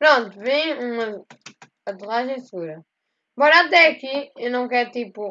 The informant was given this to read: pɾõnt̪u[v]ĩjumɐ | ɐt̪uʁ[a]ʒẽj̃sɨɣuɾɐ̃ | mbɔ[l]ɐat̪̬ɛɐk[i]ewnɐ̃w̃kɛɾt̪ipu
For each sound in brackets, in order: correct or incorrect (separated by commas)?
correct, correct, incorrect, correct